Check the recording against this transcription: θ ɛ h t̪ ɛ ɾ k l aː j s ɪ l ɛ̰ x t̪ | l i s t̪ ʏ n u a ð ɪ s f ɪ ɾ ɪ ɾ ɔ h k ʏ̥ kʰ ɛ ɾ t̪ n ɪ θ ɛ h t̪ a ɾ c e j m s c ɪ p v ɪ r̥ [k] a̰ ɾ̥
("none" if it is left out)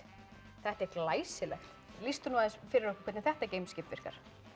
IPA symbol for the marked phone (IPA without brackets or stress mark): k